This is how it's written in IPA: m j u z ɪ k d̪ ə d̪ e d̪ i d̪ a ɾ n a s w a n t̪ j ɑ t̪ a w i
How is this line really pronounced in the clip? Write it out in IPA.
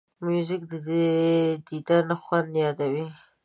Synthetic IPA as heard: m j u z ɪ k d̪ ə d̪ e d̪ i d̪ a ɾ n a x w a n d̪ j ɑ d̪ a w i